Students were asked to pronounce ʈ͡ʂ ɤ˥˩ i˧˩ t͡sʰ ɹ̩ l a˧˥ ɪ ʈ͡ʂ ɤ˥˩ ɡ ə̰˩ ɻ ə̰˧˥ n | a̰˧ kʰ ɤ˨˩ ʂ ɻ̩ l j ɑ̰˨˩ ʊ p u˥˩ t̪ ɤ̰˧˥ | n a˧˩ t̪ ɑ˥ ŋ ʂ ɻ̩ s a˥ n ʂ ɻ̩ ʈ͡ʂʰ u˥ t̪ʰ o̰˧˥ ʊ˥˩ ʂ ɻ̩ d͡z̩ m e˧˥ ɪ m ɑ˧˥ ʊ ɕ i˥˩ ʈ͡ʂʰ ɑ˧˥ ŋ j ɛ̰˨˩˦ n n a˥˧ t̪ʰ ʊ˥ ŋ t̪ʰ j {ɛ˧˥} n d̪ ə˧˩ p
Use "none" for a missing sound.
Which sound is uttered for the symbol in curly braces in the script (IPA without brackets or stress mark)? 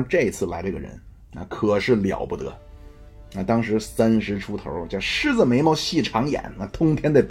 ɛ˥